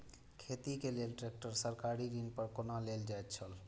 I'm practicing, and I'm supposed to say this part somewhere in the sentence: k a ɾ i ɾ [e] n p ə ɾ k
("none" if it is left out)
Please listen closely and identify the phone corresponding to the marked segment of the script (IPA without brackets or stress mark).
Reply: i